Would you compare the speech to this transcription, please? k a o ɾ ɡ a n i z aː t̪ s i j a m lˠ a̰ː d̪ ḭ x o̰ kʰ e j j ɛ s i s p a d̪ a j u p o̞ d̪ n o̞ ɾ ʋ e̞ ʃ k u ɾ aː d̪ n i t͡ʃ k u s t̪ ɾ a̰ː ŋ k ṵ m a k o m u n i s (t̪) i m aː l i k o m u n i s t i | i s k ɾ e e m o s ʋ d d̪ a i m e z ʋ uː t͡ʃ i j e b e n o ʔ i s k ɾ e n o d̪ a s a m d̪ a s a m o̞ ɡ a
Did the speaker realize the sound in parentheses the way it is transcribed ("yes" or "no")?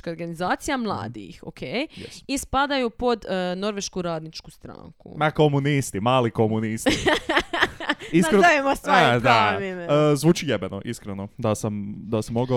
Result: yes